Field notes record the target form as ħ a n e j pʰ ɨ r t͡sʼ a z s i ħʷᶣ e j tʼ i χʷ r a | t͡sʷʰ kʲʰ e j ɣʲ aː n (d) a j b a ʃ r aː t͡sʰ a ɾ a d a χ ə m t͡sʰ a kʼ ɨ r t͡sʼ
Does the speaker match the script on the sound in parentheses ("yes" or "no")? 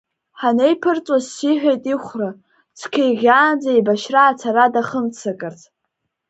no